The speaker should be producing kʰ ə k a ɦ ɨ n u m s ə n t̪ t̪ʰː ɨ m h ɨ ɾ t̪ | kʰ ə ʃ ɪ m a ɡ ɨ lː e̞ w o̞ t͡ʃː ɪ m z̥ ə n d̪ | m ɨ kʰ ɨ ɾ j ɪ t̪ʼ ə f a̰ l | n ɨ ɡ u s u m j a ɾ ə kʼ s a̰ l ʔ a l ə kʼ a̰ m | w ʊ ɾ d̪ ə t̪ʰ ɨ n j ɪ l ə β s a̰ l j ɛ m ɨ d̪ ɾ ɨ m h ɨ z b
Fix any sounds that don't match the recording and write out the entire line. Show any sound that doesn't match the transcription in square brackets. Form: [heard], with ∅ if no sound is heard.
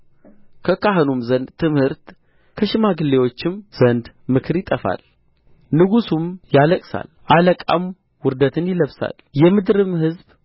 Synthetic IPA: kʰ ə k a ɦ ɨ n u m [z] ə n [d̪] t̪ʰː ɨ m h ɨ ɾ t̪ | kʰ ə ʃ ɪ m a ɡ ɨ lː e̞ w o̞ t͡ʃː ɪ m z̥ ə n d̪ | m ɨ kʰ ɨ ɾ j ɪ t̪ʼ ə f a̰ l | n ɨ ɡ u s u m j a [l] ə kʼ s a̰ l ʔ a l ə kʼ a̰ m | w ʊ ɾ d̪ ə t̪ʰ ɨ n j ɪ l ə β s a̰ l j ɛ m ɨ d̪ ɾ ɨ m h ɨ z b

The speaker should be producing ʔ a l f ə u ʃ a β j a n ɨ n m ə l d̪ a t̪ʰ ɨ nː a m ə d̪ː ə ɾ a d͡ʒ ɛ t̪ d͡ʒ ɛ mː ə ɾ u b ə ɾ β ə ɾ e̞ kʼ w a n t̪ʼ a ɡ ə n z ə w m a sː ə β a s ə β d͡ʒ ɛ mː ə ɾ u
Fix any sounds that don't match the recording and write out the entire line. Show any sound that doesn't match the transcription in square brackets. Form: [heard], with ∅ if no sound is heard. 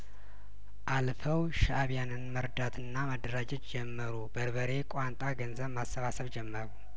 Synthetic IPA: ʔ a l f ə [w] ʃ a β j a n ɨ n m ə [ɾ] d̪ a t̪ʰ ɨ nː a m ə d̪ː ə ɾ a d͡ʒ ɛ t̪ d͡ʒ ɛ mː ə ɾ u b ə ɾ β ə ɾ e̞ kʼ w a n t̪ʼ a ɡ ə n z ə [β] m a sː ə β a s ə β d͡ʒ ɛ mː ə ɾ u

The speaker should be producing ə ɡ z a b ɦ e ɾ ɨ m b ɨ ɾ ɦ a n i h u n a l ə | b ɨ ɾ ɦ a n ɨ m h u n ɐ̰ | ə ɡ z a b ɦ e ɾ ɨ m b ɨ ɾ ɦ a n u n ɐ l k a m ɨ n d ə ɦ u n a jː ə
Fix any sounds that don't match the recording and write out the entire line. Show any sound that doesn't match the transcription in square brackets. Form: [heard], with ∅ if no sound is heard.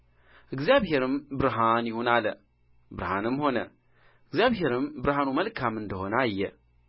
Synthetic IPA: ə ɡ z a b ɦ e ɾ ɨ m b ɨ ɾ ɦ a n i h u n a l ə | b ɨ ɾ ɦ a n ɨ m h [o] n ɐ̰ | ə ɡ z a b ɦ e ɾ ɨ m b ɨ ɾ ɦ a n u [m] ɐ l k a m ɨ n d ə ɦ [o] n a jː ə

